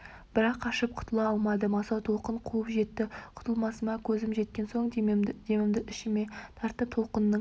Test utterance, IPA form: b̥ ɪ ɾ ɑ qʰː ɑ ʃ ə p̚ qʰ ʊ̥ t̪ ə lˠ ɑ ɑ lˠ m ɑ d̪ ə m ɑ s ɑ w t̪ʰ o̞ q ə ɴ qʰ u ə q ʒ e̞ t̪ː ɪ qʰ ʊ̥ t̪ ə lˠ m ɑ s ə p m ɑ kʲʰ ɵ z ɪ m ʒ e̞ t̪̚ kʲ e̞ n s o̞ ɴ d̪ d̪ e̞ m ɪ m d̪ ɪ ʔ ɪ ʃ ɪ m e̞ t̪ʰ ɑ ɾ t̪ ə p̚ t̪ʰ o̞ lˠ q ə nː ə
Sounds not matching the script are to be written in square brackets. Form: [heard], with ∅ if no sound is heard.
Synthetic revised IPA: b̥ ɪ ɾ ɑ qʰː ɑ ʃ ə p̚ qʰ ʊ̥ t̪ ə lˠ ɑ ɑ lˠ m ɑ d̪ ə m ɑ s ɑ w t̪ʰ o̞ q ə ɴ qʰ u ə [p] ʒ e̞ t̪ː ɪ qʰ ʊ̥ t̪ ə lˠ m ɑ s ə [∅] m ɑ kʲʰ ɵ z ɪ m ʒ e̞ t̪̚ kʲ e̞ n s o̞ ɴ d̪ d̪ e̞ m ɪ m d̪ ɪ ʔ ɪ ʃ ɪ m e̞ t̪ʰ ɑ ɾ t̪ ə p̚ t̪ʰ o̞ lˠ q ə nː ə

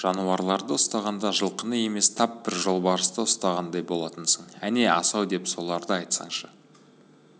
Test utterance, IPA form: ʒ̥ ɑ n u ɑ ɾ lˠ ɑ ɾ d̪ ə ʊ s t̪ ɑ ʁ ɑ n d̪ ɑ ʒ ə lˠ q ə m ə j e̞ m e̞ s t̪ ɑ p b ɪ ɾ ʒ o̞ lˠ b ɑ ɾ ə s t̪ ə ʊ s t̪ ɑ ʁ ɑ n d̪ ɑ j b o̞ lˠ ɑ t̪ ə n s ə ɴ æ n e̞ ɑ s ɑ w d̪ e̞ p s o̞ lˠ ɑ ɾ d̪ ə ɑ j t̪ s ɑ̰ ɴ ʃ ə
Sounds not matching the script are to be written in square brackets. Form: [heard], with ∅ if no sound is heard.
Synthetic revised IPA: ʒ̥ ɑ n u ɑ ɾ lˠ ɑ ɾ d̪ ə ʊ s t̪ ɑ ʁ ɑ n d̪ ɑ ʒ ə lˠ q ə [n] ə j e̞ m e̞ s [t̪ʰ] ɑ p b ɪ ɾ ʒ o̞ lˠ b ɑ ɾ ə s t̪ ə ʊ s t̪ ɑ ʁ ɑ n d̪ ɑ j b o̞ lˠ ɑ t̪ ə n s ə ɴ æ n e̞ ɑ s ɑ w d̪ e̞ p s o̞ lˠ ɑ ɾ d̪ ə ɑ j t̪ s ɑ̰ ɴ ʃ ə

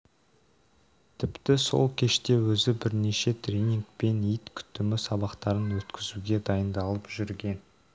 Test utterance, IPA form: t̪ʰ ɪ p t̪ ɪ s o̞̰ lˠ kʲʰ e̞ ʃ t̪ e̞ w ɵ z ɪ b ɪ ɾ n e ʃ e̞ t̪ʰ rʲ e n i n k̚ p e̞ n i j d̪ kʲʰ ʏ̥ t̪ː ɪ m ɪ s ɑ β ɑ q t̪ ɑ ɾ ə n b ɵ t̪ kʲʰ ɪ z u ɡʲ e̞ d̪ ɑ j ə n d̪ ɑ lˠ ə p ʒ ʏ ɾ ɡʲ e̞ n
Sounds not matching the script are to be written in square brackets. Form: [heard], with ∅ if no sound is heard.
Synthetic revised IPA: t̪ʰ ɪ p t̪ ɪ s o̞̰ lˠ kʲʰ e̞ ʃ t̪ e̞ w ɵ z ɪ b ɪ ɾ n e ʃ e̞ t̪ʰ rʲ e n i [ŋ] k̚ p e̞ n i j [t̪] kʲʰ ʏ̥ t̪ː ɪ m ɪ s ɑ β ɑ q t̪ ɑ ɾ ə n [w] ɵ t̪ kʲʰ ɪ z u ɡʲ e̞ d̪ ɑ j ə n d̪ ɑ lˠ ə p ʒ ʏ ɾ ɡʲ e̞ n

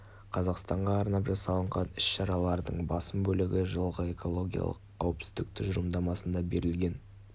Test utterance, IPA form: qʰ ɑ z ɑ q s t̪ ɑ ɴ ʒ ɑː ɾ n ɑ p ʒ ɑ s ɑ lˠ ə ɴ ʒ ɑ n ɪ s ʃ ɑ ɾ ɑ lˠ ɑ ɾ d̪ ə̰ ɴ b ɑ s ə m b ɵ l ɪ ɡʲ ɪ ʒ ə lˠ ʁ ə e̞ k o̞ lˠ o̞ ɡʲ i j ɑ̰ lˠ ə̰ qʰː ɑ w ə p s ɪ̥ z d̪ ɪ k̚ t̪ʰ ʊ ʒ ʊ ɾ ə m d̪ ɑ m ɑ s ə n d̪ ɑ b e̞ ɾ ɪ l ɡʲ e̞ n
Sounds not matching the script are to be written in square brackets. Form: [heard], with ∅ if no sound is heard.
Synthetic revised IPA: qʰ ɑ z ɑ q s t̪ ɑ ɴ [ʁ] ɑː ɾ n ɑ p ʒ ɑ s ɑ lˠ ə ɴ [ʁ] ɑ n ɪ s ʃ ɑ ɾ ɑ lˠ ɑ ɾ d̪ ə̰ ɴ b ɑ s ə m b ɵ l ɪ ɡʲ ɪ ʒ ə lˠ ʁ ə e̞ k o̞ lˠ o̞ ɡʲ i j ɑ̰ lˠ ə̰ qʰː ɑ w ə p s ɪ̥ z d̪ ɪ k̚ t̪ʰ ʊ ʒ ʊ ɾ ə m d̪ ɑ m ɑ s ə n d̪ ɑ b e̞ ɾ ɪ l ɡʲ e̞ n

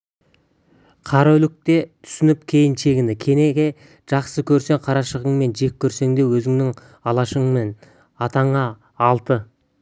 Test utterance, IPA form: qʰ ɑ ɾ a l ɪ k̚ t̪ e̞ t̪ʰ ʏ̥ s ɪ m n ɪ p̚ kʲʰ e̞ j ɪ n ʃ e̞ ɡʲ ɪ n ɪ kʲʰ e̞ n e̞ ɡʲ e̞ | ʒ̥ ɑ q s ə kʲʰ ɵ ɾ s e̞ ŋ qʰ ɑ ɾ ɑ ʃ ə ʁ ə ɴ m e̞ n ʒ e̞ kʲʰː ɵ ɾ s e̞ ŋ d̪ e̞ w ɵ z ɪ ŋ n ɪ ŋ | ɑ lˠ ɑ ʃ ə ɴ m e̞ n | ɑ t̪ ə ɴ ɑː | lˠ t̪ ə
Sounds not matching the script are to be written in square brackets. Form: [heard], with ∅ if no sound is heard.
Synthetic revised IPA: qʰ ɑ ɾ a l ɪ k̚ t̪ e̞ t̪ʰ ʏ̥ s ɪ [∅] n ɪ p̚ kʲʰ e̞ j ɪ n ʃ e̞ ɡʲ ɪ n ɪ kʲʰ e̞ n e̞ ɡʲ e̞ | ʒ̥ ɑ q s ə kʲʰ ɵ ɾ s e̞ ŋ qʰ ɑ ɾ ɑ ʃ ə ʁ ə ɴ m e̞ n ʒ e̞ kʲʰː ɵ ɾ s e̞ ŋ d̪ e̞ w ɵ z ɪ ŋ n ɪ ŋ | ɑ lˠ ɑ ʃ ə ɴ m e̞ n | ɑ t̪ [ɑ] ɴ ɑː | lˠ t̪ ə

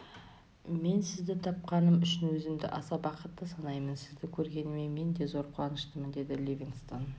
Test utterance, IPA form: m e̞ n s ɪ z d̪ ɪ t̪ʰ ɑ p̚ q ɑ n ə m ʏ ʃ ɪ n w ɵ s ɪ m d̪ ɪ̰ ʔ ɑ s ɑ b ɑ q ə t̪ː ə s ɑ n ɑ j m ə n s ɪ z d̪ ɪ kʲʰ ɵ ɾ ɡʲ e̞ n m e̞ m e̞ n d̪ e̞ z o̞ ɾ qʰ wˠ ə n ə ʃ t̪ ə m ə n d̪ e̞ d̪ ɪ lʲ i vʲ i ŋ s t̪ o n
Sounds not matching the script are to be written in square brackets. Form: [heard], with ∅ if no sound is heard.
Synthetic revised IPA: m e̞ n s ɪ z d̪ ɪ t̪ʰ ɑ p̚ q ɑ n ə m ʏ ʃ ɪ n w ɵ [z] ɪ m d̪ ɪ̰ ʔ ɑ s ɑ b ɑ q ə t̪ː ə s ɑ n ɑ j m ə n s ɪ z d̪ ɪ kʲʰ ɵ ɾ ɡʲ e̞ n m e̞ m e̞ n d̪ e̞ z o̞ ɾ qʰ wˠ [ɑ] n ə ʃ t̪ ə m ə n d̪ e̞ d̪ ɪ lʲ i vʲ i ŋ s t̪ o n

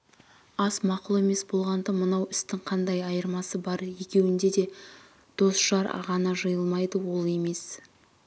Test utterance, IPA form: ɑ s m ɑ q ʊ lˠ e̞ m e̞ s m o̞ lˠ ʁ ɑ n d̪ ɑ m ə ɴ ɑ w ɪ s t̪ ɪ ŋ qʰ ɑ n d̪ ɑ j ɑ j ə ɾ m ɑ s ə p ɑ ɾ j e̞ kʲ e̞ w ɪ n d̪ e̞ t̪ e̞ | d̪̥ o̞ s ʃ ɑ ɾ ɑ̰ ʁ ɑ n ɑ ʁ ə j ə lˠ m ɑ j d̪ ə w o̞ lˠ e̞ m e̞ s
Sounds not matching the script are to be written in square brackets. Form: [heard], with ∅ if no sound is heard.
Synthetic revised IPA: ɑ s m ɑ q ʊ lˠ e̞ m e̞ s [b] o̞ lˠ ʁ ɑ n d̪ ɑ m ə [n] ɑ w ɪ s t̪ ɪ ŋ qʰ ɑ n d̪ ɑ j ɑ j ə ɾ m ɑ s ə [b] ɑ ɾ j e̞ kʲ e̞ w ɪ n d̪ e̞ [d̪] e̞ | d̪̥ o̞ s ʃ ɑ ɾ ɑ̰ ʁ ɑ n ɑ [ʒ] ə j ə lˠ m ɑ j d̪ ə w o̞ lˠ e̞ m e̞ s

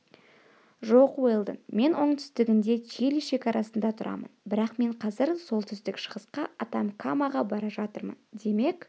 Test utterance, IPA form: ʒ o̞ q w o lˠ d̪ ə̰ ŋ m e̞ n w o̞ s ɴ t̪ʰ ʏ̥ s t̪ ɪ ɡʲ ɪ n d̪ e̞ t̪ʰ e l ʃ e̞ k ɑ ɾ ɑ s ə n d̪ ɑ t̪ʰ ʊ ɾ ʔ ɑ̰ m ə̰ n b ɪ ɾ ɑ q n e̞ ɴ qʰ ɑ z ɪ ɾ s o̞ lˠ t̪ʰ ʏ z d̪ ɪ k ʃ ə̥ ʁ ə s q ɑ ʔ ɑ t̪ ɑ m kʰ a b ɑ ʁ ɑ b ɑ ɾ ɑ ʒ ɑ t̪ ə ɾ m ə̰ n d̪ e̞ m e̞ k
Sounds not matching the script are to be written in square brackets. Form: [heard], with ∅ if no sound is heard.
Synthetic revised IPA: ʒ o̞ q w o lˠ d̪ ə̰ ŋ m e̞ n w o̞ [∅] ɴ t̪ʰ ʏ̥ s t̪ ɪ ɡʲ ɪ n d̪ e̞ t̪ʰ e l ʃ e̞ k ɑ ɾ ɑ s ə n d̪ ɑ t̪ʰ ʊ ɾ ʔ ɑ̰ m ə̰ n b ɪ ɾ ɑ q [m] e̞ ɴ qʰ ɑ z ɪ ɾ s o̞ lˠ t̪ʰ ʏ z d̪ ɪ k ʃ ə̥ ʁ ə s q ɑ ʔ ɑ t̪ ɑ m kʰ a [m] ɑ ʁ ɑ b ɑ ɾ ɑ ʒ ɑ t̪ ə ɾ m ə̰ n d̪ e̞ m e̞ k

